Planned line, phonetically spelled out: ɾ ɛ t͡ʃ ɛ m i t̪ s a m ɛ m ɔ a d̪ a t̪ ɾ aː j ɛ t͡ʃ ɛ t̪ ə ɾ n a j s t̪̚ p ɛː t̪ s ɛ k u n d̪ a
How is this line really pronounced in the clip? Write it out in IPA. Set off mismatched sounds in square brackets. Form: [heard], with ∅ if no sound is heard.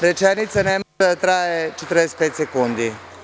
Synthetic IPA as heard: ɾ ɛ t͡ʃ ɛ [n] i t̪ s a [n] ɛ m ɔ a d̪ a t̪ ɾ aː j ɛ t͡ʃ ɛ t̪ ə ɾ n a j s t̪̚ p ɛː t̪ s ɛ k u n d̪ [i]